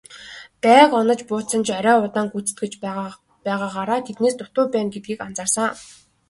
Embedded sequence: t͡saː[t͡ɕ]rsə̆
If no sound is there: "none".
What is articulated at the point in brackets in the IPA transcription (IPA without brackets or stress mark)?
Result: none